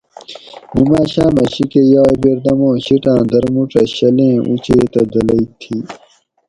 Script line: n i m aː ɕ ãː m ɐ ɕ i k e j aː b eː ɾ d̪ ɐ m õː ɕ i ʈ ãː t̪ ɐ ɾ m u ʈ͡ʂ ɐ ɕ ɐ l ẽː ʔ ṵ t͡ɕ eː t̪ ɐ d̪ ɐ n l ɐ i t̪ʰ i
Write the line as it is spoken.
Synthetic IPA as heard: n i m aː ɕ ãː m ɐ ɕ i k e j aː b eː ɾ d̪ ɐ m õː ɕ i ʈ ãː d̪ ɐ ɾ m u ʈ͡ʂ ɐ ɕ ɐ l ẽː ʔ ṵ t͡ɕ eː t̪ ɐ d̪ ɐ l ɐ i t̪ʰ i